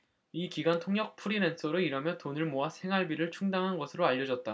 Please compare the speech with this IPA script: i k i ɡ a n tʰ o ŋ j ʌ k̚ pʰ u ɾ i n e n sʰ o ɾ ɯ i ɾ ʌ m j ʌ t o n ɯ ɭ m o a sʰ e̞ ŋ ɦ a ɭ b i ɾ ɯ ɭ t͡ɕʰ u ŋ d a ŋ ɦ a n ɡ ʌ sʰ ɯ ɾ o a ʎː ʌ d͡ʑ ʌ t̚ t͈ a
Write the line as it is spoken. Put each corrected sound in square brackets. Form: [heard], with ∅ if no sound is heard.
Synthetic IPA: i k i ɡ a n tʰ o ŋ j ʌ k̚ pʰ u ɾ i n e n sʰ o ɾ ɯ i ɾ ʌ m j ʌ t o n ɯ ɭ m o a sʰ e̞ ŋ ɦ a ɭ b i ɾ ɯ ɭ t͡ɕʰ u ŋ d a ŋ ɦ a n ɡ ʌ sʰ ɯ ɾ o a ʎː ʌ d͡ʑ ʌ t̚ t͈ a